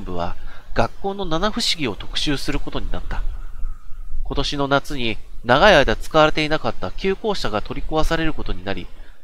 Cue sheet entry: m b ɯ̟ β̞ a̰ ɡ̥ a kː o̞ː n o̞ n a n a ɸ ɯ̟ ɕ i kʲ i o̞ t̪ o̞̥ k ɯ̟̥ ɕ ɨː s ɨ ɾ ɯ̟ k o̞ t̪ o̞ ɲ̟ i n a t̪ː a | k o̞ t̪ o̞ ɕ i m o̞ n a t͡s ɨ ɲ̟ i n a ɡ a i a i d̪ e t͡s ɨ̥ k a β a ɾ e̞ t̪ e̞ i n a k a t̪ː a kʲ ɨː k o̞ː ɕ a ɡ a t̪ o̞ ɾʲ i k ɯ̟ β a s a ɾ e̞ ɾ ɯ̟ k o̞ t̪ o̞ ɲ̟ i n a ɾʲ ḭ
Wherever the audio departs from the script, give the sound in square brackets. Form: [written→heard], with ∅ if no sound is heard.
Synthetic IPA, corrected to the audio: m b ɯ̟ β̞ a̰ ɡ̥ a kː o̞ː n o̞ n a n a ɸ ɯ̟ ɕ i [kʲ→ɡʲ] i o̞ t̪ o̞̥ k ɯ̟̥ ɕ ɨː s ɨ ɾ ɯ̟ k o̞ t̪ o̞ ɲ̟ i n a t̪ː a | k o̞ t̪ o̞ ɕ i [m→n] o̞ n a t͡s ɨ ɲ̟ i n a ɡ a i a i d̪ [e→a] t͡s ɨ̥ k a β a ɾ e̞ t̪ e̞ i n a k a t̪ː a kʲ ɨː k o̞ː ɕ a ɡ a t̪ o̞ ɾʲ i k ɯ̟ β a s a ɾ e̞ ɾ ɯ̟ k o̞ t̪ o̞ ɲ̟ i n a ɾʲ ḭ